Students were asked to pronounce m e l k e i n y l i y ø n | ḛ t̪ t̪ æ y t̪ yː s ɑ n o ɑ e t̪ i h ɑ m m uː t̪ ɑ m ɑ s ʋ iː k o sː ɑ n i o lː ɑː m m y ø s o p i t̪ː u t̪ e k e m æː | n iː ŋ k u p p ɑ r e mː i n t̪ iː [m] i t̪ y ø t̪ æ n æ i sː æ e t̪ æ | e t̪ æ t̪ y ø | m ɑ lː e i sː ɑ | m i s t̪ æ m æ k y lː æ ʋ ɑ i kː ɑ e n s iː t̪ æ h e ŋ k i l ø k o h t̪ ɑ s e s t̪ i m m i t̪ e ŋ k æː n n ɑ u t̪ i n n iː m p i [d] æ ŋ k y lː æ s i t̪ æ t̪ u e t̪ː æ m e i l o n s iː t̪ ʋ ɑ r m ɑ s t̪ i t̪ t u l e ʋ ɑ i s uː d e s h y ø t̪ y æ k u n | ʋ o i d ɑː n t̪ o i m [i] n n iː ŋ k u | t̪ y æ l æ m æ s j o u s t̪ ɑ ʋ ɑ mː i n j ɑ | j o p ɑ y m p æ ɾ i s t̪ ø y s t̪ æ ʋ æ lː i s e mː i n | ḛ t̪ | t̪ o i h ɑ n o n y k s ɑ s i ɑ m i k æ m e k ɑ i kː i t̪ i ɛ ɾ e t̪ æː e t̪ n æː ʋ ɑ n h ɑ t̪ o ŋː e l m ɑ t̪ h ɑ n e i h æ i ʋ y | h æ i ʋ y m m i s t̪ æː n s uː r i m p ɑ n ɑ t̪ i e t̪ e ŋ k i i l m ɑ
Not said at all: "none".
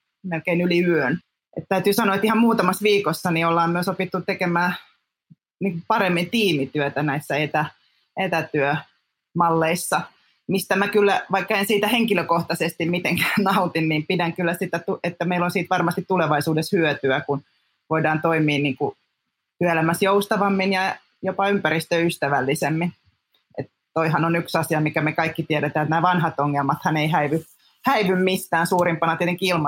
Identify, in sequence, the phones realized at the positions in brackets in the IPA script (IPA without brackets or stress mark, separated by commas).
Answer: m, d, iː